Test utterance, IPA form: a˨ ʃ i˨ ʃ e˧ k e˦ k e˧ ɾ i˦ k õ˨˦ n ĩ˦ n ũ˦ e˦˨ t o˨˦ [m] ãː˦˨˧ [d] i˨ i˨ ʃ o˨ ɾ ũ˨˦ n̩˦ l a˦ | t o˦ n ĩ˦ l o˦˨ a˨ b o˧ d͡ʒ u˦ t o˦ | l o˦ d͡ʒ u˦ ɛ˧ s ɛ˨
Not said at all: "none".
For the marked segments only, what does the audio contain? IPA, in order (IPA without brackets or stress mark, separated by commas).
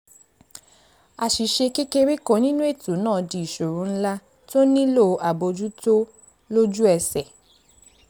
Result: n, d